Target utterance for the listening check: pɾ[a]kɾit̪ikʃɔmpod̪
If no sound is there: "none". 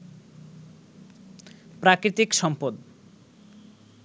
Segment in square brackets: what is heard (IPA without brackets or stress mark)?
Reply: a